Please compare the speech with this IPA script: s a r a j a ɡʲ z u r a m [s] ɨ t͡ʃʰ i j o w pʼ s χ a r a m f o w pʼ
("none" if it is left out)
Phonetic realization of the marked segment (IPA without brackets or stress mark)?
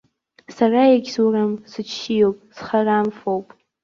s